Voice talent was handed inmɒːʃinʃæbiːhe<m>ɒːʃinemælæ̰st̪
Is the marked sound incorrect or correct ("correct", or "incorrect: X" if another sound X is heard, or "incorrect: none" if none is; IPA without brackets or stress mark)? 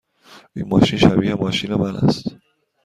correct